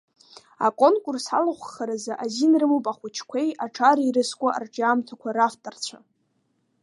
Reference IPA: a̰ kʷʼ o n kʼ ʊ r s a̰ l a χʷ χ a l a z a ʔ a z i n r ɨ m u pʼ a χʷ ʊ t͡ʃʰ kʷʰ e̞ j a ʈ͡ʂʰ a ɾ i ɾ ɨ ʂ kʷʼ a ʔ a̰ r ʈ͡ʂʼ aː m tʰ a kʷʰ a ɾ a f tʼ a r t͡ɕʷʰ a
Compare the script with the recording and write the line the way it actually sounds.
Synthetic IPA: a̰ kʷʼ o n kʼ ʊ r s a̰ l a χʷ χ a ɾ a z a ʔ a z i n r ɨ m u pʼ a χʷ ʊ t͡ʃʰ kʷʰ e̞ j a ʈ͡ʂʰ a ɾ i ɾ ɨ s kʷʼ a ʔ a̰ r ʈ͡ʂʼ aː m tʰ a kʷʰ a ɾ a f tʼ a r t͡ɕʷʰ a